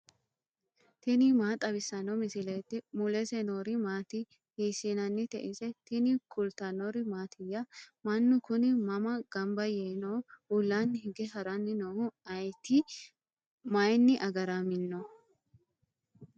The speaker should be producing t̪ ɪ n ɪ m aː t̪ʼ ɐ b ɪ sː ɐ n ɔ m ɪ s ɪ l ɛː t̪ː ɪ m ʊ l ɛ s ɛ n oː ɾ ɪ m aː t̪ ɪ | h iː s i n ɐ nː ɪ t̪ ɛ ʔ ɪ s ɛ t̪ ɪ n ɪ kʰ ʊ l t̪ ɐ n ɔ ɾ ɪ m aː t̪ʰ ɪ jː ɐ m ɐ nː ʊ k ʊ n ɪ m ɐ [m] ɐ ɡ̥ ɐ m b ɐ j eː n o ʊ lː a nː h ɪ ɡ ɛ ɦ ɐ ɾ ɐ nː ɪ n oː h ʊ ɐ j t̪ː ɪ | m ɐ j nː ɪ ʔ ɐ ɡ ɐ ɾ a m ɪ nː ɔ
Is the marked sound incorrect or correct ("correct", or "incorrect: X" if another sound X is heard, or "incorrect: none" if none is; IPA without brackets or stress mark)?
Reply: correct